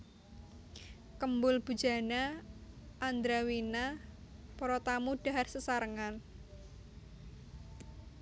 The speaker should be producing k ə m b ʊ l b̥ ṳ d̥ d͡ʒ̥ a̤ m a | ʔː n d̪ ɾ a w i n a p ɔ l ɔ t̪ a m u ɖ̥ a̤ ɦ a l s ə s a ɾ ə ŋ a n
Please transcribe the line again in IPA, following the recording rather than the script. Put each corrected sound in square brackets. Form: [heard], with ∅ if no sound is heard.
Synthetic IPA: k ə m b ʊ l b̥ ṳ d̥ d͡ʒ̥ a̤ [n] a | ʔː n d̪ ɾ a w i n a p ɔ [ɾ] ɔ t̪ a m u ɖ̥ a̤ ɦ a [r] s ə s a ɾ ə ŋ a n

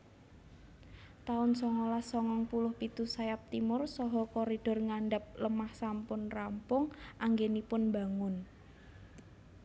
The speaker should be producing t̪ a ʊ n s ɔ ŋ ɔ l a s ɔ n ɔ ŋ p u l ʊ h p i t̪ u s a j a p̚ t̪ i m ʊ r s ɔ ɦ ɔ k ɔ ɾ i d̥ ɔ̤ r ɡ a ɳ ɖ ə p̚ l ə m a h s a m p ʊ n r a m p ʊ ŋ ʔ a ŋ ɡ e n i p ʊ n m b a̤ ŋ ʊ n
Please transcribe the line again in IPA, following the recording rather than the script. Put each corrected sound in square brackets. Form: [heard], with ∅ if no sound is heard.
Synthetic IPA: t̪ a ʊ n s ɔ ŋ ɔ l a s ɔ [ŋ] ɔ ŋ p u l ʊ h p i t̪ u s a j a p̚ t̪ i m ʊ r s ɔ ɦ ɔ k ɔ ɾ i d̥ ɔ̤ r [ŋ] a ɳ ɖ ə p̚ l ə m a h s a m p ʊ n r a m p ʊ ŋ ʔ a ŋ ɡ e n i p ʊ n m b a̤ ŋ ʊ n

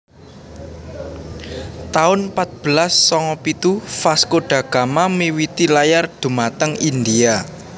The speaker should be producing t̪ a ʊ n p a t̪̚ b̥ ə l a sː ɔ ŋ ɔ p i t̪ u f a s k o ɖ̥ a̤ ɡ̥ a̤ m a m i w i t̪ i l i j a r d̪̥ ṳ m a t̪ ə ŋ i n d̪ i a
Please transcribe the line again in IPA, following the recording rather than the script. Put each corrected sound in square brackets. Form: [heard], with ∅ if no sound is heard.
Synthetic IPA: t̪ a ʊ n p a t̪̚ b̥ ə l a sː ɔ ŋ ɔ p i t̪ u f a s k o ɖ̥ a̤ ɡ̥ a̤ m a m i w i t̪ i l [a] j a r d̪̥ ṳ m a t̪ ə ŋ i n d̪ i a

